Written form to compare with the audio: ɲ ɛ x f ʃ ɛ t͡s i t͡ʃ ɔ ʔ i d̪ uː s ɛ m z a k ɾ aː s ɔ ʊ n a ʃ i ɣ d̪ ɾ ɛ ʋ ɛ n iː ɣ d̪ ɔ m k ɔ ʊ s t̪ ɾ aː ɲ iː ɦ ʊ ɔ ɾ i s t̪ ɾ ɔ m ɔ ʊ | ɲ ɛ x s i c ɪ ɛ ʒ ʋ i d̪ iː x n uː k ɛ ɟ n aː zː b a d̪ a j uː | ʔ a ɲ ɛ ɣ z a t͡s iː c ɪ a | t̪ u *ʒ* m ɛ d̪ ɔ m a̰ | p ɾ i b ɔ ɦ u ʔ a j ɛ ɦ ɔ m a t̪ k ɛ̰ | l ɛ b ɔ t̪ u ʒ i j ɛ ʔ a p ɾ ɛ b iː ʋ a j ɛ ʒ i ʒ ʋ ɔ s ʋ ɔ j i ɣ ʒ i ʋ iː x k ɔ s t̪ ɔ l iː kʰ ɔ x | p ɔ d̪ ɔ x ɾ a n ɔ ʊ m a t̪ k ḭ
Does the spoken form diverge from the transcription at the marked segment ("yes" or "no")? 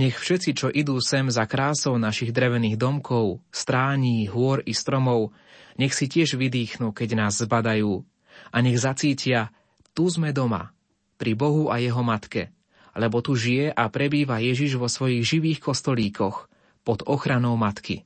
yes